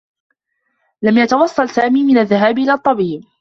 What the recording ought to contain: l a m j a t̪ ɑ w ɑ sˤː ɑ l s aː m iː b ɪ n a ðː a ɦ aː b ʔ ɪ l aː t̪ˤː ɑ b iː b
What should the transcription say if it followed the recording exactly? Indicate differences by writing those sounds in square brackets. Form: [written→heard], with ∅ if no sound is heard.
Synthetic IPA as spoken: l a m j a t̪ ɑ w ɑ sˤː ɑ l s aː m iː [b→m] ɪ n a ðː a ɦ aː b ʔ ɪ l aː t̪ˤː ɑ b iː b